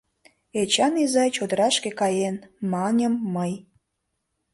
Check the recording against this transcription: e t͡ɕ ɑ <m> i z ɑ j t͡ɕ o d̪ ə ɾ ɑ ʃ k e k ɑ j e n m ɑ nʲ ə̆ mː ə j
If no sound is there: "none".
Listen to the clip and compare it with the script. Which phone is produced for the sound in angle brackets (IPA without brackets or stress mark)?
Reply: n